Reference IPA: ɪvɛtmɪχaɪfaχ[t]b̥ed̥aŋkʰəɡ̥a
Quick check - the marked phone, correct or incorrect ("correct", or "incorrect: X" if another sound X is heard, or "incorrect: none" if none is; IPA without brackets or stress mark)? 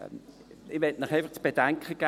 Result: incorrect: t͡s